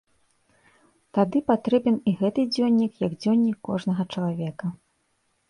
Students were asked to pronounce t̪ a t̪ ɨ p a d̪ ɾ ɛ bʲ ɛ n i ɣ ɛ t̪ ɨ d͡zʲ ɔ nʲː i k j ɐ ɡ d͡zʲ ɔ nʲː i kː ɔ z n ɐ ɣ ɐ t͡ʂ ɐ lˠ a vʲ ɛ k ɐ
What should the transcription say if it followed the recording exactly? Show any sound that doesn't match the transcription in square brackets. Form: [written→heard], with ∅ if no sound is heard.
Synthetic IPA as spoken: t̪ a [t̪→d̪] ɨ p a [d̪→t̪] ɾ ɛ bʲ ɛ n i ɣ ɛ t̪ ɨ d͡zʲ ɔ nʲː i k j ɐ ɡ d͡zʲ ɔ nʲː i kː ɔ [z→ʐ] n ɐ ɣ ɐ t͡ʂ ɐ lˠ a vʲ ɛ k ɐ